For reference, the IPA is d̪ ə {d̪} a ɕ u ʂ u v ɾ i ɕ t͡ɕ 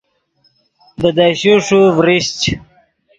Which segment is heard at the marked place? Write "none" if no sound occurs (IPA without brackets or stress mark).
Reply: d̪